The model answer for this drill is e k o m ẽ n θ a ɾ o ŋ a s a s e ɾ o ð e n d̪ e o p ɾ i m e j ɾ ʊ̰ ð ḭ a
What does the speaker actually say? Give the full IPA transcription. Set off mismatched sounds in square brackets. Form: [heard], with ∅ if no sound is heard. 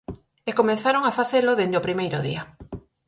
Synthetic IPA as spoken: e k o m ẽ n θ a ɾ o ŋ a [f] a [θ] e [l] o ð e n d̪ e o p ɾ i m e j ɾ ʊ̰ ð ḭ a